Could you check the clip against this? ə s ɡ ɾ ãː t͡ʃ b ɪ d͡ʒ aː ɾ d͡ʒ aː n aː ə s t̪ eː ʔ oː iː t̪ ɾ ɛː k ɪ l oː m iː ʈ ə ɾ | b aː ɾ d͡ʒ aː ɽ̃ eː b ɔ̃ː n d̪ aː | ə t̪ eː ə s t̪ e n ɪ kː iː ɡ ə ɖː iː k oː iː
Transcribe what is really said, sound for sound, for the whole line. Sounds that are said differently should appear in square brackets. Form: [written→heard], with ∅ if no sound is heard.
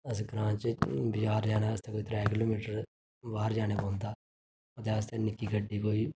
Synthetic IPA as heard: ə s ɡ ɾ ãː t͡ʃ b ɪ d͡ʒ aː ɾ d͡ʒ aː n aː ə s t̪ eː [ʔ→k] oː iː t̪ ɾ ɛː k ɪ l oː m iː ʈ ə ɾ | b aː ɾ d͡ʒ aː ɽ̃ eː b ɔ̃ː n d̪ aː | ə t̪ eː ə s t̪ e n ɪ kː iː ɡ ə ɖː iː k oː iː